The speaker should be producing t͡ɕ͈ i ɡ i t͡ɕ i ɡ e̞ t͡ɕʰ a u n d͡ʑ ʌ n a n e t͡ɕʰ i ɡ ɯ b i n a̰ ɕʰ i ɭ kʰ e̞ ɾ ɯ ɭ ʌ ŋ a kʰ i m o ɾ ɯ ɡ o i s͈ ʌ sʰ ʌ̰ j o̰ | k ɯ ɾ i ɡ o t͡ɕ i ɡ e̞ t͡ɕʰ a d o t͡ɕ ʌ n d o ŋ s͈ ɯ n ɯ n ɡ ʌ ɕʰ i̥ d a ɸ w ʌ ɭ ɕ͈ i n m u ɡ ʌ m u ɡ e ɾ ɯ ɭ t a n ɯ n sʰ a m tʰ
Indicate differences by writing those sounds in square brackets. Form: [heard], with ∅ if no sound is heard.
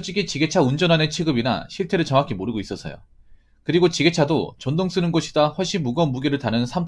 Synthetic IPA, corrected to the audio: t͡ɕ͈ i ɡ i t͡ɕ i ɡ e̞ t͡ɕʰ a u n d͡ʑ ʌ n a n e t͡ɕʰ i ɡ ɯ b i n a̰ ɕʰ i ɭ [tʰ] e̞ ɾ ɯ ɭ ʌ ŋ a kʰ i m o ɾ ɯ ɡ o i s͈ ʌ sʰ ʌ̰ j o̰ | k ɯ ɾ i ɡ o t͡ɕ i ɡ e̞ t͡ɕʰ a d o t͡ɕ ʌ n d o ŋ s͈ ɯ n ɯ n ɡ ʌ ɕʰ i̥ d a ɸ w ʌ ɭ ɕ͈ i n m u ɡ ʌ m u ɡ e ɾ ɯ ɭ t a n ɯ n sʰ a m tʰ